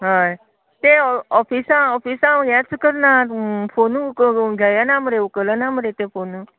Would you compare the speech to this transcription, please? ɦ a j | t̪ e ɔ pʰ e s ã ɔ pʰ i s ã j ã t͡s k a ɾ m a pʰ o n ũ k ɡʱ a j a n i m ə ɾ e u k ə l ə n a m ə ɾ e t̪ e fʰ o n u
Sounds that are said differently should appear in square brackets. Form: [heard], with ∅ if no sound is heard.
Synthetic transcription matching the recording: ɦ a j | t̪ e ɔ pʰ [i] s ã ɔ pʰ i s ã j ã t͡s k [ə] ɾ [n] a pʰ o n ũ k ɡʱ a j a n [a] m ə ɾ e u k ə l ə n a m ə ɾ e t̪ e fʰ o n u